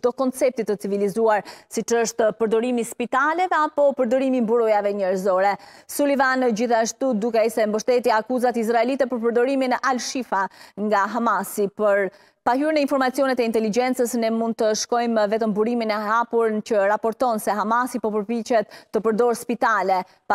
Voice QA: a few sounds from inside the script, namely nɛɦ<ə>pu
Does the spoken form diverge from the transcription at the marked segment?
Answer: yes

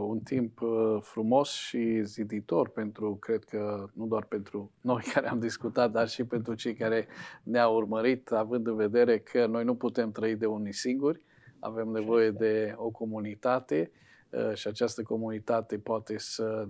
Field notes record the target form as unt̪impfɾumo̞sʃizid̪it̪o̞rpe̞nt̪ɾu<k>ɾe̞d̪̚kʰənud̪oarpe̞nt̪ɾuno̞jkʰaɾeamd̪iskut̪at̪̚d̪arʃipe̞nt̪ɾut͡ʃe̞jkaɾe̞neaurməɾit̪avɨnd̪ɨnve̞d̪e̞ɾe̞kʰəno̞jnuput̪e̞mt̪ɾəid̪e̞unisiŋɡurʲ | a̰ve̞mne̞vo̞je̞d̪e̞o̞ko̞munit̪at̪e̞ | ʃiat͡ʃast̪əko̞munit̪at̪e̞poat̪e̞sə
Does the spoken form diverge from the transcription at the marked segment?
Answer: no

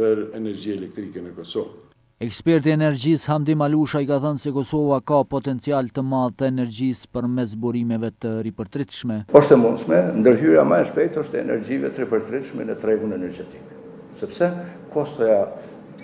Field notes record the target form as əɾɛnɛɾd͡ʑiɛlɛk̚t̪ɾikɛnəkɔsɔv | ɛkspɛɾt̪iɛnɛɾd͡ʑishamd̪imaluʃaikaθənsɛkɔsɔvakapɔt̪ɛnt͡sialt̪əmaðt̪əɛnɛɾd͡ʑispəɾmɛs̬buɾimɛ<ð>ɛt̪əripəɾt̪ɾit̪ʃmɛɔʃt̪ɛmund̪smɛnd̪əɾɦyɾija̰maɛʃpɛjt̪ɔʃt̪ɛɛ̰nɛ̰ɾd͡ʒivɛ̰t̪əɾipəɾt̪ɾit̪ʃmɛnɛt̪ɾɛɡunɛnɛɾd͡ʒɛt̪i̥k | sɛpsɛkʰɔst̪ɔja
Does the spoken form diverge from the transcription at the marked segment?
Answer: yes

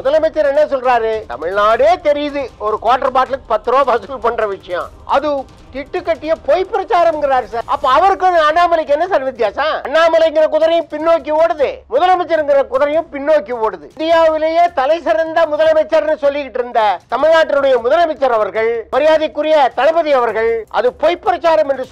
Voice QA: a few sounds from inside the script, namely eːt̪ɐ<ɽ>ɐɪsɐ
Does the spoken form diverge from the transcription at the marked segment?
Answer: yes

